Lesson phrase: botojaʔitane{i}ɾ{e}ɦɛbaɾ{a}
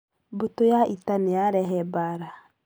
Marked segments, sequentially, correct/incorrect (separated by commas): incorrect, incorrect, correct